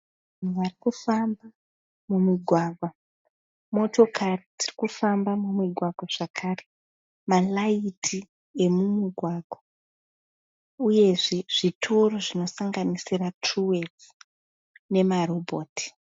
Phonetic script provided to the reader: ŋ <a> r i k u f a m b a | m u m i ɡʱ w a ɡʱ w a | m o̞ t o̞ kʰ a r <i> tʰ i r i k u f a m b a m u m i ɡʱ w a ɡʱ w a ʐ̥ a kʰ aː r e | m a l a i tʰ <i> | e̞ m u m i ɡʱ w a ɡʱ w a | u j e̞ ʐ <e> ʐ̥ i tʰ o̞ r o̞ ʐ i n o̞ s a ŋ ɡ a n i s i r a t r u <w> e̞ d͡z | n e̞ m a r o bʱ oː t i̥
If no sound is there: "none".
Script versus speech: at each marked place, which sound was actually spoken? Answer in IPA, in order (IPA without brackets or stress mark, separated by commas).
a, i, i, e, w